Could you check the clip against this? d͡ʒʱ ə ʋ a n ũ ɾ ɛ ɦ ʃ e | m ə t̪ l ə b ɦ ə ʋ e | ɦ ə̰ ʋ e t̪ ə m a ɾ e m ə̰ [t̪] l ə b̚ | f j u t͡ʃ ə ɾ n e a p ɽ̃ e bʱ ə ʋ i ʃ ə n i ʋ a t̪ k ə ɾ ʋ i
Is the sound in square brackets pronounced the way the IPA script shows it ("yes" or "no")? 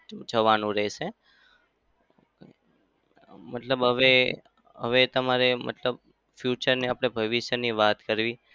yes